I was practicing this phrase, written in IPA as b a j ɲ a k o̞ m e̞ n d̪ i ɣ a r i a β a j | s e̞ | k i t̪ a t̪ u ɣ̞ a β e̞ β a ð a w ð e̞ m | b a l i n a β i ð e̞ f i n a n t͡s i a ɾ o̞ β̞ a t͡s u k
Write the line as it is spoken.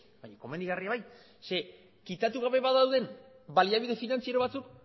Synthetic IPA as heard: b a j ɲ a k o̞ m e̞ n d̪ i ɣ a r i a β a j | s e̞ | k i t̪ a t̪ u ɣ̞ a β e̞ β a ð a w ð e̞ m | b a l i a β i ð e̞ f i n a n t͡s i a ɾ o̞ β̞ a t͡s u k